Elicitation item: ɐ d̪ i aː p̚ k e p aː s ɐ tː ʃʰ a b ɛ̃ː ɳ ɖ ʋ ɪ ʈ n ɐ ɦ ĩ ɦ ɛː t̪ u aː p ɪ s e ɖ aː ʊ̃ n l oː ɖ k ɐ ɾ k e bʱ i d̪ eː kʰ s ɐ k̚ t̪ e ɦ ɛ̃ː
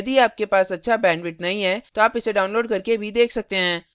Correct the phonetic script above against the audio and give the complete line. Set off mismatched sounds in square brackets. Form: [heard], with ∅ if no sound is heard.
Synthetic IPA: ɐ d̪ i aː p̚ k e p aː s ɐ tː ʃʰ a b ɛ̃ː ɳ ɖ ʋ ɪ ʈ n ɐ ɦ ĩ ɦ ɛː t̪ [o] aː p ɪ s e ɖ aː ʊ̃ n l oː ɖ k ɐ ɾ k e bʱ i d̪ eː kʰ s ɐ k̚ t̪ e ɦ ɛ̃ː